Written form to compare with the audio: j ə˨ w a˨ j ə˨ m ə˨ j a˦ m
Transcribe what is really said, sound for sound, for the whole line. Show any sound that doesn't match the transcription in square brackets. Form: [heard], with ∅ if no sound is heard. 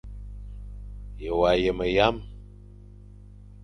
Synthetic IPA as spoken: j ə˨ w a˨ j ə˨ m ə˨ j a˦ m